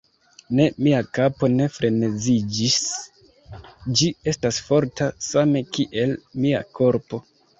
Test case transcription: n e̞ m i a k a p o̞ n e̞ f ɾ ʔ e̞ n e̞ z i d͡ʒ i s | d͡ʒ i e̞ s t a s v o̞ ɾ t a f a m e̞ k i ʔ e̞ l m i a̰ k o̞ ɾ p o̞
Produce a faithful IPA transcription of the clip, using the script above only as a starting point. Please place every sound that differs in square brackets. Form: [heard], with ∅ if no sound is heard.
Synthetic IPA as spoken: n e̞ m i a k a p o̞ n e̞ f ɾ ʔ e̞ n e̞ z i d͡ʒ i s | d͡ʒ i e̞ s t a s [f] o̞ ɾ t a [s] a m e̞ k i ʔ e̞ l m i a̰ k o̞ ɾ p o̞